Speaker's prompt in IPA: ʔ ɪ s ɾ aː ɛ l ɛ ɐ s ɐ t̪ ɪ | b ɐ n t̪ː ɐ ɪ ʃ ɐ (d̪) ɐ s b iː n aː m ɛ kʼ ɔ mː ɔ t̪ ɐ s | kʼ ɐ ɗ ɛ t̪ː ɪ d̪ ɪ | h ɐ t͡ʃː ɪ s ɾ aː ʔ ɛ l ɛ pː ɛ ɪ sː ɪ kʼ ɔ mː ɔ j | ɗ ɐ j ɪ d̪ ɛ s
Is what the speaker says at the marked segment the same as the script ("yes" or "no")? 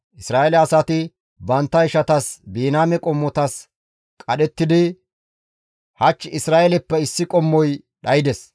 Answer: no